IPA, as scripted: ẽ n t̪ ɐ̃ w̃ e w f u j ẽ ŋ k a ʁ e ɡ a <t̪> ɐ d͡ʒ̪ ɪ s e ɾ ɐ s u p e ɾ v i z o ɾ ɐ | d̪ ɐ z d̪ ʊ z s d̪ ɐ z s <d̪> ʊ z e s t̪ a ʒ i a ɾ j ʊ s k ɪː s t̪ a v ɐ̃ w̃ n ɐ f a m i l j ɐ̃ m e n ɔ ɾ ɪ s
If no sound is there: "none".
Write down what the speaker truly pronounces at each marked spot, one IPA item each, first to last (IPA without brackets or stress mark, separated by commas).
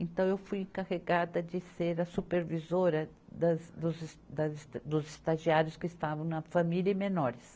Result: d̪, d̪